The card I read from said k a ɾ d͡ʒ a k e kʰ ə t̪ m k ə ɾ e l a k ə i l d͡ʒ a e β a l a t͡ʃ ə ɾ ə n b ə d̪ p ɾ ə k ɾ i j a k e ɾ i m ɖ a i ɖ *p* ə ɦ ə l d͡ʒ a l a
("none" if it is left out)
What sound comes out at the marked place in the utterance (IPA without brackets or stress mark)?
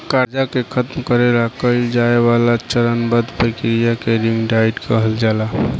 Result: k